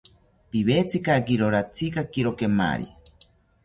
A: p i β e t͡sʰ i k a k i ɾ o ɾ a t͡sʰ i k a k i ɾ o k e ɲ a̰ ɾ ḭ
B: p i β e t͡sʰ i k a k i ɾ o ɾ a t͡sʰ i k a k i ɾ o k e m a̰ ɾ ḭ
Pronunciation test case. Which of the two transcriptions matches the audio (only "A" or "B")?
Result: B